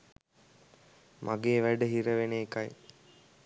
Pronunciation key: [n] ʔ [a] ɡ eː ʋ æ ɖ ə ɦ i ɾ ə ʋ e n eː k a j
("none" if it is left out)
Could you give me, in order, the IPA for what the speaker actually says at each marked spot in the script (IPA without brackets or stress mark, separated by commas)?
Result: m, a